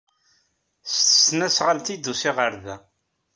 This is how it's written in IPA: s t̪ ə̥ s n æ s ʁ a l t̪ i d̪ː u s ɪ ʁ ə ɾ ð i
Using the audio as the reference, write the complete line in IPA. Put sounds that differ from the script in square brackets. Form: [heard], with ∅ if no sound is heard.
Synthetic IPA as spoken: s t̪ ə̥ s n æ s ʁ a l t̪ i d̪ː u s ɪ ʁ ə ɾ ð [æ]